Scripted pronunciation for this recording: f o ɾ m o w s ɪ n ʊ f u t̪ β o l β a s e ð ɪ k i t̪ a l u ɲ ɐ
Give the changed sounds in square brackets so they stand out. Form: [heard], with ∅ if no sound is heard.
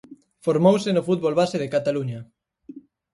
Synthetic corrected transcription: f o ɾ m o w s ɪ n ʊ f u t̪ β o l β a s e ð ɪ k [a] t̪ a l u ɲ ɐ